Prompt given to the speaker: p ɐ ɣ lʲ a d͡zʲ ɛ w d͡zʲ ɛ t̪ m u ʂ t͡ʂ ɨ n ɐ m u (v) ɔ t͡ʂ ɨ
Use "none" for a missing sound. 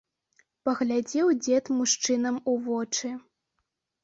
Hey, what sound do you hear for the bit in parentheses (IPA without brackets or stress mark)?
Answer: v